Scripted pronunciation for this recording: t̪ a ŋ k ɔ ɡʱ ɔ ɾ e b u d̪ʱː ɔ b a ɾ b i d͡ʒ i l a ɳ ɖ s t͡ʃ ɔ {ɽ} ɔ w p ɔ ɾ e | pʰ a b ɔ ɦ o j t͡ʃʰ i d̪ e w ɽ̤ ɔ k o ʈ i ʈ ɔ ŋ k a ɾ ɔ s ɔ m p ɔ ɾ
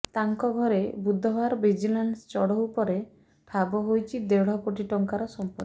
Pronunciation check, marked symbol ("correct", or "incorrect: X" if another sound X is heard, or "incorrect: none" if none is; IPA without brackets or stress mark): correct